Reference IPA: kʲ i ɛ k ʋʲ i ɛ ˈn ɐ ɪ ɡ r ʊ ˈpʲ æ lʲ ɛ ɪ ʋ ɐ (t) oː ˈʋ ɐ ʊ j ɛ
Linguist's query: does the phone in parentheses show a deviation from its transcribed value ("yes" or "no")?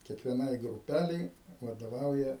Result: yes